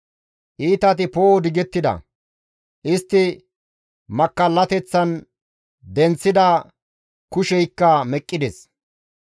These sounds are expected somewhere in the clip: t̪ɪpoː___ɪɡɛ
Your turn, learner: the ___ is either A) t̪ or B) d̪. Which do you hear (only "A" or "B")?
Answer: B